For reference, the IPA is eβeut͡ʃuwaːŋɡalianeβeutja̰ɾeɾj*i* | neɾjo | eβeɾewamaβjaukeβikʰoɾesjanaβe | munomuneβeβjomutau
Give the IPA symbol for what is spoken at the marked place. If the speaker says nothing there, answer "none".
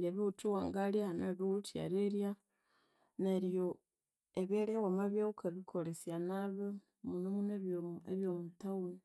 a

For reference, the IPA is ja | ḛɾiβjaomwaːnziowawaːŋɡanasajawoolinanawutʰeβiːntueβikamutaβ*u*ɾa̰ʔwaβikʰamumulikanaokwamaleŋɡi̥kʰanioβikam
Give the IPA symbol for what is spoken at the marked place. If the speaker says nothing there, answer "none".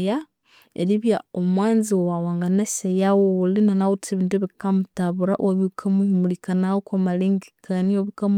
u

